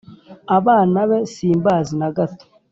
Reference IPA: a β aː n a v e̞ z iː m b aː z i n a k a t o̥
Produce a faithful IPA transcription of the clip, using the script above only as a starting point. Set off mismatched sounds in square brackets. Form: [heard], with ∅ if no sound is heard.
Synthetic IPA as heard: a β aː n a [β] e̞ [s] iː m b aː z i n a [ɡ] a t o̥